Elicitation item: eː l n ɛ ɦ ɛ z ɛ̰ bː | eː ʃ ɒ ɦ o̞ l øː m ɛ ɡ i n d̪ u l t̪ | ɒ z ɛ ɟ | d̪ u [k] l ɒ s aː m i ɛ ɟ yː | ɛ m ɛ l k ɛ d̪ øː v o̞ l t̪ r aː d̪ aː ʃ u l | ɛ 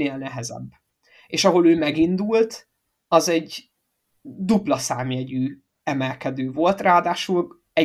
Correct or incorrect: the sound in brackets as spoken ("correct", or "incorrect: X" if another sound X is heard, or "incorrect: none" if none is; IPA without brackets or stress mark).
incorrect: p